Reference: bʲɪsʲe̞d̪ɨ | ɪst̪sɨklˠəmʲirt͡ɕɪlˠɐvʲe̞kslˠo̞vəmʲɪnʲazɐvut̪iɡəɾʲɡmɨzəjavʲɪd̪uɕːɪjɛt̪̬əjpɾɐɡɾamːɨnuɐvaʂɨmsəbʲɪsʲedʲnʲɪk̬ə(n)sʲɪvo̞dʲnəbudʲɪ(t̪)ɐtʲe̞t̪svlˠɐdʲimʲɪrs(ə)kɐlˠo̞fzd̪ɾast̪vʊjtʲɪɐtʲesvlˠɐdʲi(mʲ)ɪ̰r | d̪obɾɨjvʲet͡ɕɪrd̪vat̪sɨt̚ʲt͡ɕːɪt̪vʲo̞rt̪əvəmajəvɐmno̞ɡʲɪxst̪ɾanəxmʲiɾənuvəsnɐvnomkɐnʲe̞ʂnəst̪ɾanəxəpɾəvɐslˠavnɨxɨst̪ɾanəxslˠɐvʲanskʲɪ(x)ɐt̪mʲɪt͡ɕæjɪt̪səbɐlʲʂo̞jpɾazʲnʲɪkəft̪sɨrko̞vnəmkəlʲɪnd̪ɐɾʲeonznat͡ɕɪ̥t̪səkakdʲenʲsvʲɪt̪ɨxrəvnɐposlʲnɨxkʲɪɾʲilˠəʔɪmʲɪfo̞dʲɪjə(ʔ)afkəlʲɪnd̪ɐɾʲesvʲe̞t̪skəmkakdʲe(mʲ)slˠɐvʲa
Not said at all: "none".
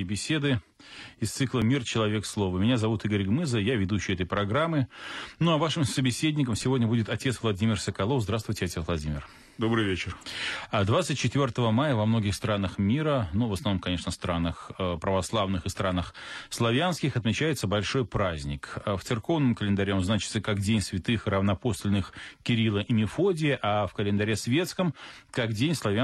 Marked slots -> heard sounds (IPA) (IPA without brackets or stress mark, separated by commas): m, t̪, ə, mʲ, x, ʔ, nʲ